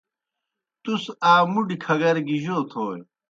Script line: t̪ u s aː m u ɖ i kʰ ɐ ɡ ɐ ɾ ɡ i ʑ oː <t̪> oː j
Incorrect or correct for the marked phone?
incorrect: t̪ʰ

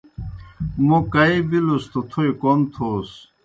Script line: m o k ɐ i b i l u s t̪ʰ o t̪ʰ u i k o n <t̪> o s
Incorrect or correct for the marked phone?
incorrect: t̪ʰ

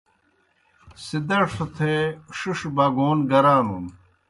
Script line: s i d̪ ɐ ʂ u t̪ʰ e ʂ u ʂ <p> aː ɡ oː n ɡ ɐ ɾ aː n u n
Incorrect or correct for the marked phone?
incorrect: b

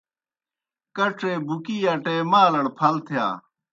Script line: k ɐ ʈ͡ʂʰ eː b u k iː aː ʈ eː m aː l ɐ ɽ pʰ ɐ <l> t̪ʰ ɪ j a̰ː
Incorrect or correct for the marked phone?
correct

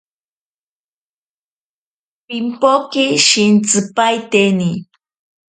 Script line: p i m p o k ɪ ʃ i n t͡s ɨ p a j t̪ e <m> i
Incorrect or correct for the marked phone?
incorrect: n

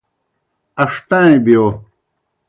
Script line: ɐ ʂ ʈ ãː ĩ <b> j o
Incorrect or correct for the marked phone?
correct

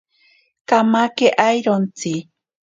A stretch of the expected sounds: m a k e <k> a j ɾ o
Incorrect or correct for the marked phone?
incorrect: ʔ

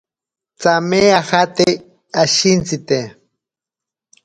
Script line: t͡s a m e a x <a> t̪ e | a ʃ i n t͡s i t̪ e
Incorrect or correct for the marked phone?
correct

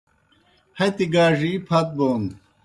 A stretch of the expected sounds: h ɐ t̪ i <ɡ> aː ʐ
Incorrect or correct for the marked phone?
correct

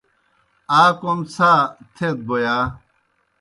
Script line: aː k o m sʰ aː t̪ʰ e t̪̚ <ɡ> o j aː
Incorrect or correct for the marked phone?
incorrect: b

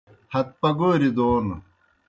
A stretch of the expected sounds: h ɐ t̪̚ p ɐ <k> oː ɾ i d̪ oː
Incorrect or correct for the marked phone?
incorrect: ɡ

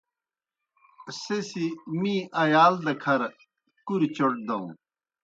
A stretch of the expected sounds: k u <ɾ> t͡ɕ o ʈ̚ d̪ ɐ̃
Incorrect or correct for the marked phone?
correct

